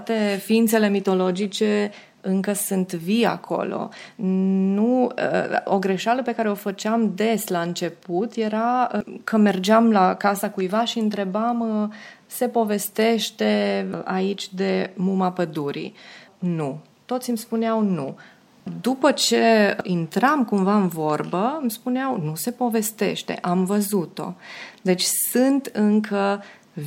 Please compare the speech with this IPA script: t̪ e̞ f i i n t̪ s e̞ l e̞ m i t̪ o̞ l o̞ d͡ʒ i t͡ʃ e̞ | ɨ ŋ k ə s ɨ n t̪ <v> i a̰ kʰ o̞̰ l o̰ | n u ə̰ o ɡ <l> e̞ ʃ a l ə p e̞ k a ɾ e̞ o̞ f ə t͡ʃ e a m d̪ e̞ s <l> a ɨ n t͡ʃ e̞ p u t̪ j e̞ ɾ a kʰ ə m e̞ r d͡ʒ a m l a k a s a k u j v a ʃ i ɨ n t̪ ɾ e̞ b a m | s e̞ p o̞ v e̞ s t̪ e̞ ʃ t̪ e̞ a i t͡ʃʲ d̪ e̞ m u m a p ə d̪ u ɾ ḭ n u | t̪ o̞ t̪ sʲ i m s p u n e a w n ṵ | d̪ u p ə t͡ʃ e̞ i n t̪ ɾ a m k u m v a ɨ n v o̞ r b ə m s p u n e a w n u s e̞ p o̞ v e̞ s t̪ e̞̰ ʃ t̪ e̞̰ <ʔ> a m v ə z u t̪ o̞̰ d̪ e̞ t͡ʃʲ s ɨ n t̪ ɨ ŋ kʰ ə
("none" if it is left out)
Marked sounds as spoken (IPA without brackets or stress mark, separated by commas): v, ɾ, l, ʔ